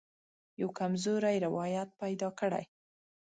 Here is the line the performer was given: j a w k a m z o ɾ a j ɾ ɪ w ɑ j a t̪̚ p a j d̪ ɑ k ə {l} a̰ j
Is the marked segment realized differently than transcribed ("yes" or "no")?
yes